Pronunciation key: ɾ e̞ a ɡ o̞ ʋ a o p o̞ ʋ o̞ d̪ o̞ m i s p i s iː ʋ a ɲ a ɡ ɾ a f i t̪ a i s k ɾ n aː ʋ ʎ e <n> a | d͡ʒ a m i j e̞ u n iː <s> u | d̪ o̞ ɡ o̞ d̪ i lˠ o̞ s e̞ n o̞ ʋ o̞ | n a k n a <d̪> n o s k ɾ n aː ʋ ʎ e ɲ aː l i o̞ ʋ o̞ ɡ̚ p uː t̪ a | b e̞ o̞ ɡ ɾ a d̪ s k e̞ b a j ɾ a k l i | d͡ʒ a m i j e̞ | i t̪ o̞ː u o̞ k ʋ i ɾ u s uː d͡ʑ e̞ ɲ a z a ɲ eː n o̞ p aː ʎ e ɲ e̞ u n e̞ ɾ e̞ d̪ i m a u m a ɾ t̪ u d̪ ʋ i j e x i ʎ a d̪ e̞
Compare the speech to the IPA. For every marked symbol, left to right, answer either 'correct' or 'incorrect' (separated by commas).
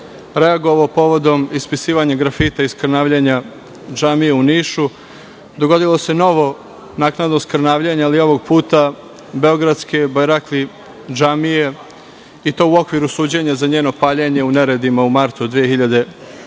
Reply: incorrect, incorrect, correct